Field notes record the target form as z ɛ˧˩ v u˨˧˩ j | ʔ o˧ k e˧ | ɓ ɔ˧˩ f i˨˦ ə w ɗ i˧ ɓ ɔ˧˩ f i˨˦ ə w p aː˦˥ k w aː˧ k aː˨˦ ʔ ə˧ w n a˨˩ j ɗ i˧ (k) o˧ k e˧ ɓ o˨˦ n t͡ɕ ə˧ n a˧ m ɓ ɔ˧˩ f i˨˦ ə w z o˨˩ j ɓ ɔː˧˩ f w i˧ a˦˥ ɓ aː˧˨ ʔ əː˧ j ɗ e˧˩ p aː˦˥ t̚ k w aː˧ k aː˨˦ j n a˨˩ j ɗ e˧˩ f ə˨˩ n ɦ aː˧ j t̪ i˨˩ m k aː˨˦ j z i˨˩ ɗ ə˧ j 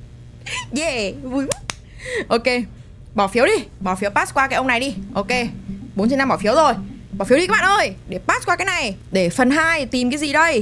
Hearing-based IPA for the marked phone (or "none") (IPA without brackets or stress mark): ʔ